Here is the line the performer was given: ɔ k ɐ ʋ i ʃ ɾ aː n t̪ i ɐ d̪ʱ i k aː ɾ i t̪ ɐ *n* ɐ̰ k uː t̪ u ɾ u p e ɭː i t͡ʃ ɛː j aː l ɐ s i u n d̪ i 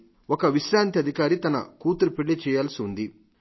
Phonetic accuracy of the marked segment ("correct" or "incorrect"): correct